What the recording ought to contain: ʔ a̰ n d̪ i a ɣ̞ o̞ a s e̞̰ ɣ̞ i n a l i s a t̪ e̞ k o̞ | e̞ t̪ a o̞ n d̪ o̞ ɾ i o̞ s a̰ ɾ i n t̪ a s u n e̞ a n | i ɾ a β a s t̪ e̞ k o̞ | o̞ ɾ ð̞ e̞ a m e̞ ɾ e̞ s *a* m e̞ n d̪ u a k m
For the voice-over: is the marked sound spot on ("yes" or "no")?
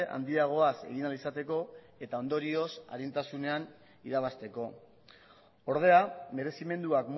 no